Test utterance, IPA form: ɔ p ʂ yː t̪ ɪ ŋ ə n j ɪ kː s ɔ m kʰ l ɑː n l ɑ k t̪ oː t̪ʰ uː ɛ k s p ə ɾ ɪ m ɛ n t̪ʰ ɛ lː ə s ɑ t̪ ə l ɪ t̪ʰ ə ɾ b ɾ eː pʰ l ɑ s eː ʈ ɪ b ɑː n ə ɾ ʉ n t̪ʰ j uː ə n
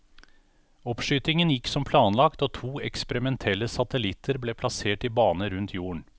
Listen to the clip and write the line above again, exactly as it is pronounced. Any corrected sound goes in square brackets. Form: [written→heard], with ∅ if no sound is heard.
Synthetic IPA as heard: ɔ p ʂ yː t̪ ɪ ŋ ə n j ɪ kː s ɔ m [kʰ→pʰ] l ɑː n l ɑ k t̪ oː t̪ʰ uː ɛ k s p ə ɾ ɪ m ɛ n t̪ʰ ɛ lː ə s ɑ t̪ ə l ɪ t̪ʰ ə ɾ b [ɾ→l] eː pʰ l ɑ s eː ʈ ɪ b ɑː n ə ɾ ʉ n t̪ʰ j uː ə [n→ɳ]